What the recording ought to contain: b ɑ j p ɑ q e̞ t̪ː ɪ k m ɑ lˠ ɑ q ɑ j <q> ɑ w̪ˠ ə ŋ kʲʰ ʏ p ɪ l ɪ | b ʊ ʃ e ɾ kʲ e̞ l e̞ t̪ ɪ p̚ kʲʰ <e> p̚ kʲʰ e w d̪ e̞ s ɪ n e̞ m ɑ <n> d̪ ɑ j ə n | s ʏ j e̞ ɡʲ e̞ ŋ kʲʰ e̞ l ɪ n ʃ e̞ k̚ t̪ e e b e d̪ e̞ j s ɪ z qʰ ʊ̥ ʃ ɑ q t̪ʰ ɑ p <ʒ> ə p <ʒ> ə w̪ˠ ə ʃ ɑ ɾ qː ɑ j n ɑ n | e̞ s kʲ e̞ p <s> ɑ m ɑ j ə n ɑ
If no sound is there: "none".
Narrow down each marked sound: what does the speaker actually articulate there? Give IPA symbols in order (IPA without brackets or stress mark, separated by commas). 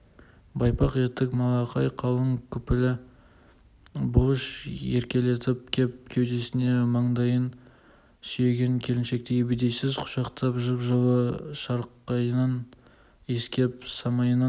qʰ, e, ɴ, ʒ, ʒ, s